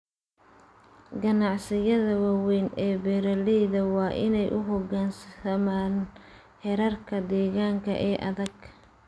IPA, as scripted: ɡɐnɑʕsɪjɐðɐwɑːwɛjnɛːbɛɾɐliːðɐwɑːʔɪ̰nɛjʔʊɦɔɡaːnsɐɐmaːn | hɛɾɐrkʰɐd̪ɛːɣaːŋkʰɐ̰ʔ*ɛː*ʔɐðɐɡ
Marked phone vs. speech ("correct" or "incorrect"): correct